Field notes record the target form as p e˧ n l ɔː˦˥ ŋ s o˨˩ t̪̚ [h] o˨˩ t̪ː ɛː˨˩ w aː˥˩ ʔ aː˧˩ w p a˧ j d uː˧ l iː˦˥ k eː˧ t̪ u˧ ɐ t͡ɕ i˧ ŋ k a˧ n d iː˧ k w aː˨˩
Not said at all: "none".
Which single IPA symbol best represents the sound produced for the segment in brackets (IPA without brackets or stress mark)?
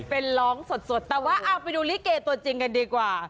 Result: s